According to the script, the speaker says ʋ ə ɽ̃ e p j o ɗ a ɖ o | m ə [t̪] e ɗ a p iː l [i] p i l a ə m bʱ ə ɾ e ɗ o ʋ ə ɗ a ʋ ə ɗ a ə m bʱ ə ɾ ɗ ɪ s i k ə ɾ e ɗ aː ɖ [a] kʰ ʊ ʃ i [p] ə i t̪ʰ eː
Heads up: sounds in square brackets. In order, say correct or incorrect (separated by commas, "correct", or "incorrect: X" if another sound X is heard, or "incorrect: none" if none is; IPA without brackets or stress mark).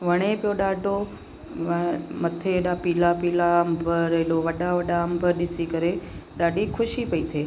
incorrect: t̪ʰ, incorrect: a, incorrect: i, correct